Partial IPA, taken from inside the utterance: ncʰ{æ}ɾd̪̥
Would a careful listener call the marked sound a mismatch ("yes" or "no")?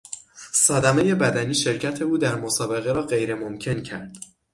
no